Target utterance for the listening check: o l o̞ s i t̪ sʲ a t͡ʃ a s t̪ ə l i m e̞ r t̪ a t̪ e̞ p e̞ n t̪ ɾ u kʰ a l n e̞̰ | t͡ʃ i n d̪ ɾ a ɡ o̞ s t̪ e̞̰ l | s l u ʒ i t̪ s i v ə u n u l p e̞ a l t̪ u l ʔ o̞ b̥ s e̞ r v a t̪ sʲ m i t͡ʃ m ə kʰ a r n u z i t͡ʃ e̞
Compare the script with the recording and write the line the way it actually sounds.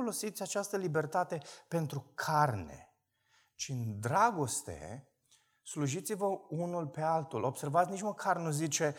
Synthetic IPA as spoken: o l o̞ s i t̪ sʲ a t͡ʃ a s t̪ ə l i b e̞ r t̪ a t̪ e̞ p e̞ n t̪ ɾ u kʰ a r n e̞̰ | t͡ʃ i n d̪ ɾ a ɡ o̞ s t̪ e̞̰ | s l u ʒ i t̪ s i v ə u n u l p e̞ a l t̪ u l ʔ o̞ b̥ s e̞ r v a t̪ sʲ n i t͡ʃ m ə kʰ a r n u z i t͡ʃ e̞